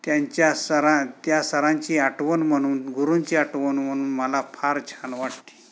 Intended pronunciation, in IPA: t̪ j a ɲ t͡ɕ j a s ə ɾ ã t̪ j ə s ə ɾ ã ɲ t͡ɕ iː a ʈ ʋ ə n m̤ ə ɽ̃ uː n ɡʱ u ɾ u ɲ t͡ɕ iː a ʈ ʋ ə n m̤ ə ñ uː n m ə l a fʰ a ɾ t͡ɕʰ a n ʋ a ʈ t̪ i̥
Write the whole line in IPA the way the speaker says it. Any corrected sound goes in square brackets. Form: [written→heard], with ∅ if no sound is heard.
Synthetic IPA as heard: t̪ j a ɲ t͡ɕ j a s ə ɾ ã t̪ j [ə→a] s ə ɾ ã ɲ t͡ɕ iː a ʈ ʋ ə n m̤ ə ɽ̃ uː n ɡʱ u ɾ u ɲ t͡ɕ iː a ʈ ʋ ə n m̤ ə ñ uː n m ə l a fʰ a ɾ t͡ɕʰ a n ʋ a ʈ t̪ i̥